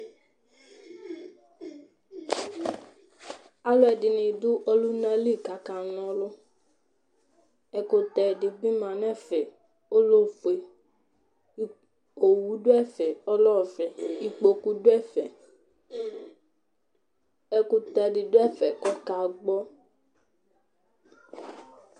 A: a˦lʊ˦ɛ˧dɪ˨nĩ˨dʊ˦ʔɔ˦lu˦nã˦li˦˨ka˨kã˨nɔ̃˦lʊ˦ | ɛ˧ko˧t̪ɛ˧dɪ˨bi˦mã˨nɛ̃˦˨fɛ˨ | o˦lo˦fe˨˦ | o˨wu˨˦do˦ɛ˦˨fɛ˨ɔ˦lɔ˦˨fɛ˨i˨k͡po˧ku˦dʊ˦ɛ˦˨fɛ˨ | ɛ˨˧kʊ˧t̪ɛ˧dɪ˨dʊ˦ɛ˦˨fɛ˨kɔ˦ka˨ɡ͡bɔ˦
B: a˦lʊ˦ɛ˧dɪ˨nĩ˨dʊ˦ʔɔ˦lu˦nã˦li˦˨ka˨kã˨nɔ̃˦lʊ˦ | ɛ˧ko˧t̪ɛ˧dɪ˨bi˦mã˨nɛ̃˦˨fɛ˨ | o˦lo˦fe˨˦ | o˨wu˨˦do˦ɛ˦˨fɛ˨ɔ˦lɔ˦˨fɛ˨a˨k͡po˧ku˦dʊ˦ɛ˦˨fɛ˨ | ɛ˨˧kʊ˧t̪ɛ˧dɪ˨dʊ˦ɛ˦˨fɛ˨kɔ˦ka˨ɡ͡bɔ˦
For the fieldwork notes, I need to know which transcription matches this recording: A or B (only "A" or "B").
A